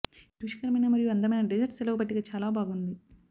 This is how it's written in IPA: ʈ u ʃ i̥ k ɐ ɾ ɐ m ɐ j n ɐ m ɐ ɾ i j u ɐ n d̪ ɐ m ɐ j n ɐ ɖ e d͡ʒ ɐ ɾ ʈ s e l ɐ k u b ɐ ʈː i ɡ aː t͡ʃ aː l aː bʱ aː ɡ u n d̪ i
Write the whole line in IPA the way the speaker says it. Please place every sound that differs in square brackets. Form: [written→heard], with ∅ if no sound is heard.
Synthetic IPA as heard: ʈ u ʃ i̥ k ɐ ɾ ɐ m ɐ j n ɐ m ɐ ɾ i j u ɐ n d̪ ɐ m ɐ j n ɐ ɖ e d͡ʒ ɐ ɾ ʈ s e l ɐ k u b ɐ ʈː i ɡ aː t͡ʃ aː l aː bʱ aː ɡ u n d̪ i